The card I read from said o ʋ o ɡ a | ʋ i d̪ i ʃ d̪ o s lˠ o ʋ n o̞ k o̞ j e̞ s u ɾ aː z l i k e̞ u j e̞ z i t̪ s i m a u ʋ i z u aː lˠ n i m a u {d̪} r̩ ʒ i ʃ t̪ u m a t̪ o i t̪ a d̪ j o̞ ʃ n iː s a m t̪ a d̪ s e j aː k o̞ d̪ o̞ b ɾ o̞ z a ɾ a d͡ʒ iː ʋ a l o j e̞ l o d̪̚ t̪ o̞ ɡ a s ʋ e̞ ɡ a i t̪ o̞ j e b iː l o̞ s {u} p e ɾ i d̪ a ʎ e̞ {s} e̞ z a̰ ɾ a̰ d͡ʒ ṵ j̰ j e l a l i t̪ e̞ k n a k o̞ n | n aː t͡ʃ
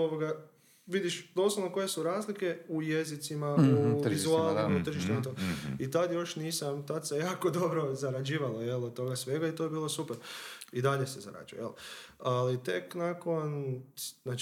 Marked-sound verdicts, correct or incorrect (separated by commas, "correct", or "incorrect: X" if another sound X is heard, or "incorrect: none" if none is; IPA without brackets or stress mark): incorrect: t̪, correct, correct